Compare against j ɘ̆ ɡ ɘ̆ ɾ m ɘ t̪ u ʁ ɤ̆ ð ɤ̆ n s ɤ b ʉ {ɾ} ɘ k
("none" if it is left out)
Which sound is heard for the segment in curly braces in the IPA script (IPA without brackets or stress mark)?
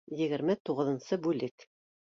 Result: l